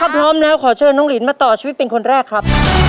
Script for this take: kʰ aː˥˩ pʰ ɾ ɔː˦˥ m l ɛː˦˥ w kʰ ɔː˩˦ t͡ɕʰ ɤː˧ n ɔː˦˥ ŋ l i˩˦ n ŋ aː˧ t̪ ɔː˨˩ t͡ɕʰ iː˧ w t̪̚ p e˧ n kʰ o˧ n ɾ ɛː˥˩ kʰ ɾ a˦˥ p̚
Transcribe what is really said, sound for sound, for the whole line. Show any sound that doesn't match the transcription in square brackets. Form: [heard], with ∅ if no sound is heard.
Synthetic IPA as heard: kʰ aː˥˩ pʰ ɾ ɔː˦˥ m l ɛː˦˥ w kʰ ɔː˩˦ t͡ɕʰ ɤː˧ n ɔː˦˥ ŋ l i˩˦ n [m] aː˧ t̪ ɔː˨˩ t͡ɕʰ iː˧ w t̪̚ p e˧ n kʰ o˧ n ɾ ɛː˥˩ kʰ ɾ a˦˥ p̚